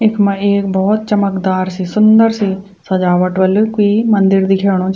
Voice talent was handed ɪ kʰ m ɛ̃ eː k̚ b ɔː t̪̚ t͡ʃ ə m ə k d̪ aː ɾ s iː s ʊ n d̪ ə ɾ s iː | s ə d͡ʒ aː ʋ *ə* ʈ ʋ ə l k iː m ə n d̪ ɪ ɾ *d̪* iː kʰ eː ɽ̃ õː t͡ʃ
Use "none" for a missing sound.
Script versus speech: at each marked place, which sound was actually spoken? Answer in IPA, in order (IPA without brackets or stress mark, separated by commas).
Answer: ə, d̪